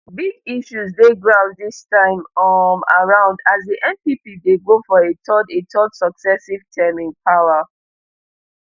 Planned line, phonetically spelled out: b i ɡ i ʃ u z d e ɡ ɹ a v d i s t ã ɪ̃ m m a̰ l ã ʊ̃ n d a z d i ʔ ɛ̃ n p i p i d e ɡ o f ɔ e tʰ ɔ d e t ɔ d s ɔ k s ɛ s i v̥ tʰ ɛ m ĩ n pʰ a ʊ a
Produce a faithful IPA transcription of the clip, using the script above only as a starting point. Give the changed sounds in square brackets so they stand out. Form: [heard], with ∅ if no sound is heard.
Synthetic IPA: b i ɡ i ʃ u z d e ɡ ɹ a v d i s t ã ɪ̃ m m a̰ [ɹ] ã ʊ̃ n d a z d i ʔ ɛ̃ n p i p i d e ɡ o f ɔ e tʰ ɔ d e t ɔ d s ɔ k s ɛ s i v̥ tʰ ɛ m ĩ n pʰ a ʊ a